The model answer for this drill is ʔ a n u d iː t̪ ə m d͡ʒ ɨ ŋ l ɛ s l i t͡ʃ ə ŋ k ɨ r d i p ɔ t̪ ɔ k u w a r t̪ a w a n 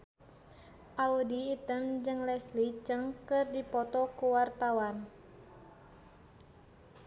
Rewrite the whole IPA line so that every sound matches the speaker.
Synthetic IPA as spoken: ʔ a u d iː t̪ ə m d͡ʒ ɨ ŋ l ɛ s l i t͡ʃ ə ŋ k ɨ r d i p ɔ t̪ ɔ k u w a r t̪ a w a n